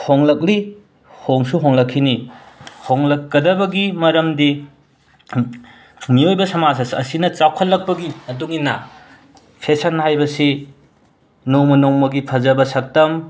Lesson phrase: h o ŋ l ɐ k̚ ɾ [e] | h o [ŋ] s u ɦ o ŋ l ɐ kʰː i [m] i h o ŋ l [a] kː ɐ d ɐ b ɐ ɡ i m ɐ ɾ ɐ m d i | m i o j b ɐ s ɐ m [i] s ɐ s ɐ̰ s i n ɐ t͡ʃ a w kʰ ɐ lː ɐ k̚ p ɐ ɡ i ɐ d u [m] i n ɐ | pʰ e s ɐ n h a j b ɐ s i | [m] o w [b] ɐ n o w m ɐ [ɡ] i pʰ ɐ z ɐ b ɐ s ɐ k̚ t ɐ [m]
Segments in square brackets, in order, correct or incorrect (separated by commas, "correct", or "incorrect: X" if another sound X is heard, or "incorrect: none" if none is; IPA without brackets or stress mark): incorrect: i, correct, incorrect: n, incorrect: ɐ, incorrect: a, incorrect: ŋ, incorrect: n, incorrect: m, correct, correct